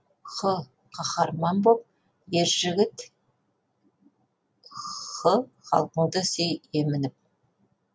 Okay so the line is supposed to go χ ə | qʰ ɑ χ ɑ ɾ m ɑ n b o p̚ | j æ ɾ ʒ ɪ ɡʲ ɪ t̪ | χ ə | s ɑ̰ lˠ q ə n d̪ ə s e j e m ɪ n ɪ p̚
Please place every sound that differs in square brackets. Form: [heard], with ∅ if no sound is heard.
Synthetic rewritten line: χ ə | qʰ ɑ χ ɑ ɾ m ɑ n b o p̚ | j [e] ɾ ʒ ɪ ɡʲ ɪ t̪ | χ ə | [χ] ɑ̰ lˠ q ə [ɴ] d̪ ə s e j e m ɪ n ɪ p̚